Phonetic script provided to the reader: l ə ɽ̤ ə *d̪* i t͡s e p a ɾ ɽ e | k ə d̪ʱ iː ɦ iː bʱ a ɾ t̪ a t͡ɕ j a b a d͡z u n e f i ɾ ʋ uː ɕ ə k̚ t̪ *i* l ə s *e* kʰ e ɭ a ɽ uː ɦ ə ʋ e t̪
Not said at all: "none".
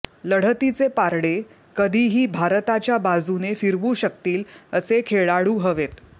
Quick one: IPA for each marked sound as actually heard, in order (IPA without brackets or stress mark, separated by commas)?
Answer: t̪, iː, e